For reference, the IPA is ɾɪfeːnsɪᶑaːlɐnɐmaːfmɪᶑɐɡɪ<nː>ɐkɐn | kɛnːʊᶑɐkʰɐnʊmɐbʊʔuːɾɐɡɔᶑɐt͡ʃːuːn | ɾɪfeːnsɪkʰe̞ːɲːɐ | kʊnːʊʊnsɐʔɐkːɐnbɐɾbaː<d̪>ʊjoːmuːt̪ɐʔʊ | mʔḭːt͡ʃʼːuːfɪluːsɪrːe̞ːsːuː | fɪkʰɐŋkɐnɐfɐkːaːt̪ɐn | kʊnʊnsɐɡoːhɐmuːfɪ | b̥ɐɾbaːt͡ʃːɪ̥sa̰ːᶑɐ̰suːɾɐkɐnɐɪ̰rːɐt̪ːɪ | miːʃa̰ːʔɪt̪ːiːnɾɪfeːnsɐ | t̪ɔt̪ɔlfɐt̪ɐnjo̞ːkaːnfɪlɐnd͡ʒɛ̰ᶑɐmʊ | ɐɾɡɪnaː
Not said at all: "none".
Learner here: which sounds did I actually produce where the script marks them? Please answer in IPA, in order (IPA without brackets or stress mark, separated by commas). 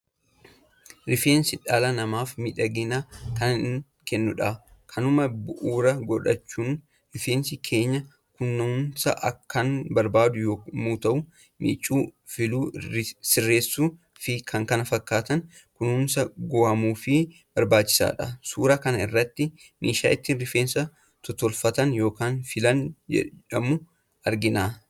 n, d̪